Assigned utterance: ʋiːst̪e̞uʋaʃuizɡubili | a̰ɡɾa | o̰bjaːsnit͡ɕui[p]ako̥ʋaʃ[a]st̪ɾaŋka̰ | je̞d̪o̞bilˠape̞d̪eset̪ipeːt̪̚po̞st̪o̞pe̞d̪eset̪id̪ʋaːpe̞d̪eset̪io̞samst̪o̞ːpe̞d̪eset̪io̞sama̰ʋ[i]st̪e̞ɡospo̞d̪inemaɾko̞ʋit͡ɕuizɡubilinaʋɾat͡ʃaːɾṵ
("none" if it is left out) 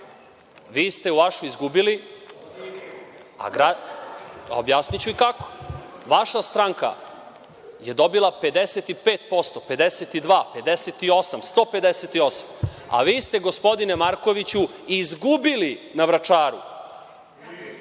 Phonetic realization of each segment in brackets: k, a, iː

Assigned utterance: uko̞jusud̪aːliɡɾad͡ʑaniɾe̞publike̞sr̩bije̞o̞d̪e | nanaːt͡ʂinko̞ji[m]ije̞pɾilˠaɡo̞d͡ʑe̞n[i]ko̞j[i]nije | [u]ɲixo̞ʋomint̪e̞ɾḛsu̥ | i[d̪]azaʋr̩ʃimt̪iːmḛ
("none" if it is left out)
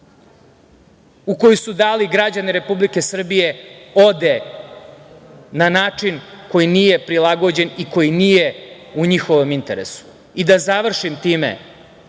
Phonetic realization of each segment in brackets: n, i, i, u, d̪

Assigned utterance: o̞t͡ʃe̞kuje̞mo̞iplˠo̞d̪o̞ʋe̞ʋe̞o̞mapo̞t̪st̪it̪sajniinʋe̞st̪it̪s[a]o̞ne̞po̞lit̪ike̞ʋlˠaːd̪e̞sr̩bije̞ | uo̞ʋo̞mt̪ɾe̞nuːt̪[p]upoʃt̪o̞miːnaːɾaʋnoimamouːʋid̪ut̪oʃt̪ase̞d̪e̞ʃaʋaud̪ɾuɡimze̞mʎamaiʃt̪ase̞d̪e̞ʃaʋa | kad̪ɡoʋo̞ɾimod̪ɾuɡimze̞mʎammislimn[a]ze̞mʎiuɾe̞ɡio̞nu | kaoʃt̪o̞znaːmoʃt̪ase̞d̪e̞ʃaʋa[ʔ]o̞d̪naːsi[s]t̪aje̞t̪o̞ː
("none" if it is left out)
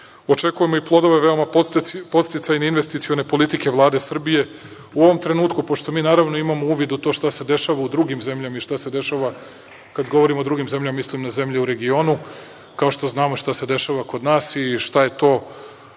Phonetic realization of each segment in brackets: i, k, a, k, ʃ

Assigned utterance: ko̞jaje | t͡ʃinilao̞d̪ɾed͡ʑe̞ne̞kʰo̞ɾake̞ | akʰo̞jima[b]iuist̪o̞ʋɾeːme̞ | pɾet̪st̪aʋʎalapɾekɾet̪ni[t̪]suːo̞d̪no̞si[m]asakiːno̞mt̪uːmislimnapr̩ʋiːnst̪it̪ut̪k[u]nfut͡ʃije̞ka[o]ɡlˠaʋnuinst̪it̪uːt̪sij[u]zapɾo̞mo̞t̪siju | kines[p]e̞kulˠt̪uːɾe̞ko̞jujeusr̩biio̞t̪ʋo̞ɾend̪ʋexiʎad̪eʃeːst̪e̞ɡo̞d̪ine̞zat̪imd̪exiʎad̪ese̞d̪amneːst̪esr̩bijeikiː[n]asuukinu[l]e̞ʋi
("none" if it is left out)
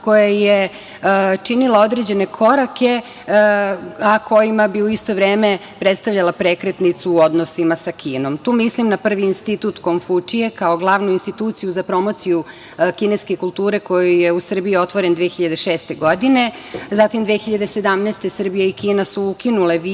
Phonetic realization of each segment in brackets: b, t̪, m, o, o, u, k, n, l

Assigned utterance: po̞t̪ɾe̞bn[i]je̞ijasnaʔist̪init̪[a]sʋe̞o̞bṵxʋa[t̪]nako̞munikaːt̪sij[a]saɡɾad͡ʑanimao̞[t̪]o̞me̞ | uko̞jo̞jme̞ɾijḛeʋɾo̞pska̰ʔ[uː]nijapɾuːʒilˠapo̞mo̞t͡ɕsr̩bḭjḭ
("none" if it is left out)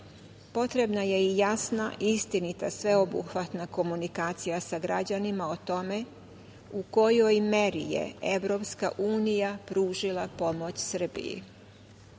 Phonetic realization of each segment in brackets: a, a, t̪, a, t̪, uː

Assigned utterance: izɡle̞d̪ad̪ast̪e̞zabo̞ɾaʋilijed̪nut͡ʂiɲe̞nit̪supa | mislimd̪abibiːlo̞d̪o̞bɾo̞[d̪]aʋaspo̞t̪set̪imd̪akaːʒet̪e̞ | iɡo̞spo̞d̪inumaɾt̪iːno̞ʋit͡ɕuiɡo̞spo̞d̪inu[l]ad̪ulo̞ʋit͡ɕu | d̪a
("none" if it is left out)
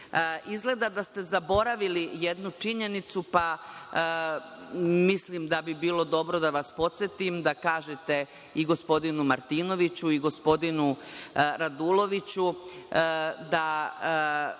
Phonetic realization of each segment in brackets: d̪, ɾ

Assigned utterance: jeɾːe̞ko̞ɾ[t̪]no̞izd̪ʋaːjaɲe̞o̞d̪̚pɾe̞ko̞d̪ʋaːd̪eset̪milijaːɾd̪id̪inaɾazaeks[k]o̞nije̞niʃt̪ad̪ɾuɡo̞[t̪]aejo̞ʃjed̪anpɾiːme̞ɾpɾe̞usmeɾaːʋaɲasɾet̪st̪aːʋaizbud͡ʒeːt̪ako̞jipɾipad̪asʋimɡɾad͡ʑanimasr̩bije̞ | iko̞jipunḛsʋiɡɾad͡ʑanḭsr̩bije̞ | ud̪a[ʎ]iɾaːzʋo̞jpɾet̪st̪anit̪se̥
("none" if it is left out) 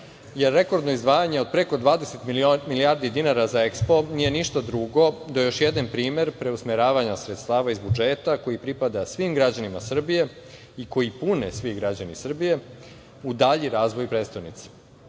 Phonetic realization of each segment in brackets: d̪, p, d̪, ʎ

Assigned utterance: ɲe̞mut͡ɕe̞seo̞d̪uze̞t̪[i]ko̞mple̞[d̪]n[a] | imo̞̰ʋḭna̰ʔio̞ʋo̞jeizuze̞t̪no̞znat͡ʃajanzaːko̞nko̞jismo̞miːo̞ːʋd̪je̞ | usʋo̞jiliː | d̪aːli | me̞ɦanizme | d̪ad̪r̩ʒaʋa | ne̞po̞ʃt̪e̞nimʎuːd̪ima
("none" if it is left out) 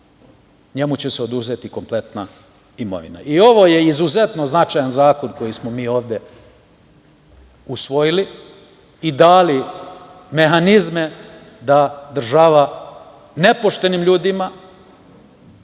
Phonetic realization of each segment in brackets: i, t̪, a

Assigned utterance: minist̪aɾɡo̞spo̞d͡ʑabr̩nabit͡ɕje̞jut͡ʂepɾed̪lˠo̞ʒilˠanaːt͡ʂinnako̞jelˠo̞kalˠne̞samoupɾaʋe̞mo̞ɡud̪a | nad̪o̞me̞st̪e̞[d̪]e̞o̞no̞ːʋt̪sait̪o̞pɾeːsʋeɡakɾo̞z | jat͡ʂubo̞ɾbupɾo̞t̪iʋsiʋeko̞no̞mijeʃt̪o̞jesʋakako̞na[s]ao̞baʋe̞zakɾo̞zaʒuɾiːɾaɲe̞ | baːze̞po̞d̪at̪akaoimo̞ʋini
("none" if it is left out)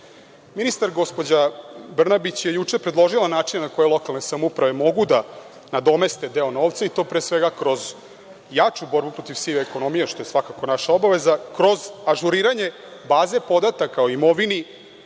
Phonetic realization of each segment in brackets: d̪, ʃ

